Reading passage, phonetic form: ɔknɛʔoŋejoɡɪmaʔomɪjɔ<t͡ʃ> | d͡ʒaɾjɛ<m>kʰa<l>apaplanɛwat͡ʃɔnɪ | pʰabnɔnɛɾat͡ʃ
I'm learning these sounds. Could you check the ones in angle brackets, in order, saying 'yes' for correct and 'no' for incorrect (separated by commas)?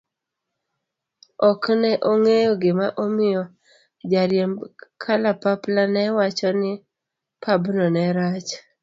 no, yes, yes